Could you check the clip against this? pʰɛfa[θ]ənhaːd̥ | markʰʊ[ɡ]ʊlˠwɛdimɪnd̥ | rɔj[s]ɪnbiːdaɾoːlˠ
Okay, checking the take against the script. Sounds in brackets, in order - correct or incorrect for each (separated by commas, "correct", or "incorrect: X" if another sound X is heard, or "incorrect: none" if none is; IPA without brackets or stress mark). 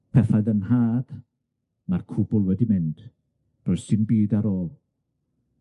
incorrect: ð, incorrect: b, correct